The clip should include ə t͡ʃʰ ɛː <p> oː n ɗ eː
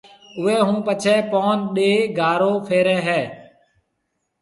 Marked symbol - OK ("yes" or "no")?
yes